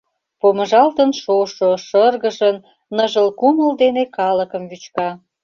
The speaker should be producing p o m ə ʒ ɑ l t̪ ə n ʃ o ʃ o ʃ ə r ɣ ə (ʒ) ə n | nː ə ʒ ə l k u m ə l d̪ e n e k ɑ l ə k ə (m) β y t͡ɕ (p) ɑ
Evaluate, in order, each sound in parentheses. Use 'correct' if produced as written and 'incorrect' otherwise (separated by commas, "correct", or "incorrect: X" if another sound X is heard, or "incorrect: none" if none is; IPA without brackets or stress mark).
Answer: correct, correct, incorrect: k